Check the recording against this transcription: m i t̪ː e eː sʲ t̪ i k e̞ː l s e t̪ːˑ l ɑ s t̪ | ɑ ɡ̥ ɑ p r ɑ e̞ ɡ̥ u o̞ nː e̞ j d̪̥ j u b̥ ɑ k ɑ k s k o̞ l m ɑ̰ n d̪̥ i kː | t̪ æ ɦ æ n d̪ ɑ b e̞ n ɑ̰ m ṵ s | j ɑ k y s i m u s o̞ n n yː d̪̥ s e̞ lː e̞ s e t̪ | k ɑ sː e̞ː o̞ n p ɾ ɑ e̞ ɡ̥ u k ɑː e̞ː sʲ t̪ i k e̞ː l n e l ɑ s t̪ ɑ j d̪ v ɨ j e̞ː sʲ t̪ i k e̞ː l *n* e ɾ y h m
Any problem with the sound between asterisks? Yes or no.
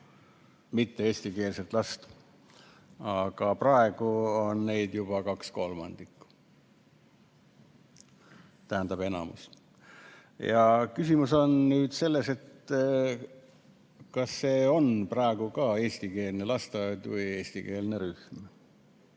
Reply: no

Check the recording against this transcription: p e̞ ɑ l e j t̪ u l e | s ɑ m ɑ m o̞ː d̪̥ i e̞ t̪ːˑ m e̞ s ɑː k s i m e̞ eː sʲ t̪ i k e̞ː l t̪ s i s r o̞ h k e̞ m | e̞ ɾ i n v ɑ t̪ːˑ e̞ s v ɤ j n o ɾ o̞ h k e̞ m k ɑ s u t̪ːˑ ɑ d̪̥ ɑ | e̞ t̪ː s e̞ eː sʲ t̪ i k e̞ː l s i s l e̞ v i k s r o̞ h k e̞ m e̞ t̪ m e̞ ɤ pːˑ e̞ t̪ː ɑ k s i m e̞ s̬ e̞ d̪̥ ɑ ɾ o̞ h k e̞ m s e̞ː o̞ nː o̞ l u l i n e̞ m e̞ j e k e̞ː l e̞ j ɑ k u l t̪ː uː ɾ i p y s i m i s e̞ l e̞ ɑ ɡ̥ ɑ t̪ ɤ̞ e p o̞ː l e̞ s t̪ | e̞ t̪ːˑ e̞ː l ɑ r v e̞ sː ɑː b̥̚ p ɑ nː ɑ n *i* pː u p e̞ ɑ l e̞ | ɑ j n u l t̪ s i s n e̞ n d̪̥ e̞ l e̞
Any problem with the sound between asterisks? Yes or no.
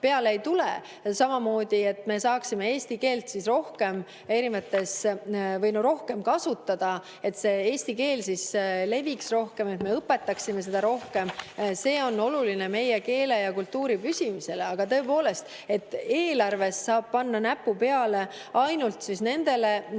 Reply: yes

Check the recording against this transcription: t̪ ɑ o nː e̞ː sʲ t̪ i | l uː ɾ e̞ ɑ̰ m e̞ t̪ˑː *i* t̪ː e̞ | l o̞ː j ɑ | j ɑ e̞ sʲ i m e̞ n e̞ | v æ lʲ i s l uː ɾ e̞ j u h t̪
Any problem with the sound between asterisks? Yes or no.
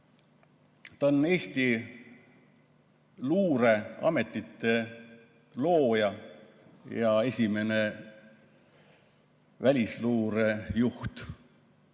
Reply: no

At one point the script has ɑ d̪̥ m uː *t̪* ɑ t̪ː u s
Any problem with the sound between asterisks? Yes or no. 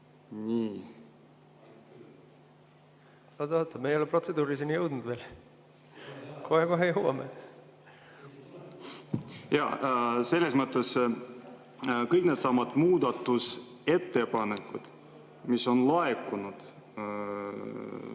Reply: yes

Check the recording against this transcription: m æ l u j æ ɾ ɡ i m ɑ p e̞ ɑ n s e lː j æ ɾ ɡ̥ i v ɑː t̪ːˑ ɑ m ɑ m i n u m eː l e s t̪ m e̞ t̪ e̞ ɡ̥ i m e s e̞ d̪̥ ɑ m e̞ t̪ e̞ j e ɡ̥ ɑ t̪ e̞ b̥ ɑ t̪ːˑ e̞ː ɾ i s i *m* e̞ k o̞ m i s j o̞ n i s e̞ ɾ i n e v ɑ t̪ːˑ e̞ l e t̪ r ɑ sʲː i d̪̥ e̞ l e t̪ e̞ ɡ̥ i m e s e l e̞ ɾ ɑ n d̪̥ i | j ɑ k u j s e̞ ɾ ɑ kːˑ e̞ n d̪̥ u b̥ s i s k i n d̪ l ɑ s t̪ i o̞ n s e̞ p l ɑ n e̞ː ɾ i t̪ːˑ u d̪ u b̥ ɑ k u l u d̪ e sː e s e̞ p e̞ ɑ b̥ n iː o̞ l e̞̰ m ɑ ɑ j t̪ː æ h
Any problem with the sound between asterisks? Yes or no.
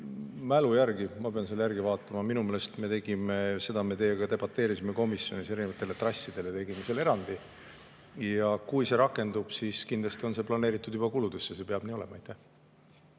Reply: no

